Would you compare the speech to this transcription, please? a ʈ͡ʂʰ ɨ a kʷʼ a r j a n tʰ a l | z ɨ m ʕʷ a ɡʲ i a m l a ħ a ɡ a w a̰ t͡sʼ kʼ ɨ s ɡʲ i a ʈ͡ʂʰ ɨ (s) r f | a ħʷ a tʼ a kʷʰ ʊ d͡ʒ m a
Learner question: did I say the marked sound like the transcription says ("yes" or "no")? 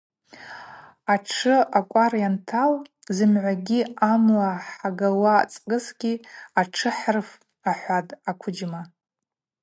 no